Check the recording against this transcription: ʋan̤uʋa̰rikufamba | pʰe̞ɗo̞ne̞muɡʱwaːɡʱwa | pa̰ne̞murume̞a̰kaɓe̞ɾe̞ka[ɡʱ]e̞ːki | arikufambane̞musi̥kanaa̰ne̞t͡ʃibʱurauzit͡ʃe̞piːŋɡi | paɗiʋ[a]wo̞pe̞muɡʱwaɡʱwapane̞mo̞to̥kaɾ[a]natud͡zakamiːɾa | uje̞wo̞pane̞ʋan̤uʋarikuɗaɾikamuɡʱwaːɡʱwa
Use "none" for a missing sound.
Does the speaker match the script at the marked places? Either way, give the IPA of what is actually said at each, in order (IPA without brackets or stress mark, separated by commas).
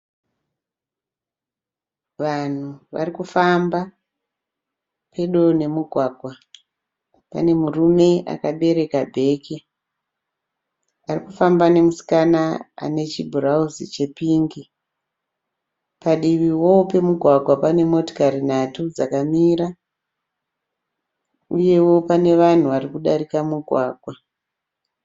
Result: bʱ, i, i